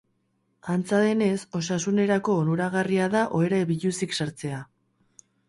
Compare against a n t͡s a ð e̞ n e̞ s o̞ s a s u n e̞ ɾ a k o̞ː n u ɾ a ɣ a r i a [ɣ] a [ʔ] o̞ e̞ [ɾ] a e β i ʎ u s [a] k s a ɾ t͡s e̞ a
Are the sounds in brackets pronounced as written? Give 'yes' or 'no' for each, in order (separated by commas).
no, yes, yes, no